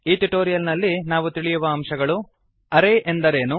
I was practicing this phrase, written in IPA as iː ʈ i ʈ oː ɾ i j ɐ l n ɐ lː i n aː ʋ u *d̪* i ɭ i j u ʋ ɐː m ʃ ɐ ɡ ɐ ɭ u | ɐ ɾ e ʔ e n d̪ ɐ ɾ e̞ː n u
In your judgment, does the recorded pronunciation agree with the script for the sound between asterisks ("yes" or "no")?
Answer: no